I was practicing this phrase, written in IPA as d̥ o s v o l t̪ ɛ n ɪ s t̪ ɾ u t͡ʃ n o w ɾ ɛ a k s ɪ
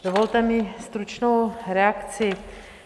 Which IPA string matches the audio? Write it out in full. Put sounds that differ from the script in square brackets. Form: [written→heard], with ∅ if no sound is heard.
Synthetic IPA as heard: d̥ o [s→∅] v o l t̪ ɛ [n→m] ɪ s t̪ ɾ u t͡ʃ n o w ɾ ɛ a k [s→t͡s] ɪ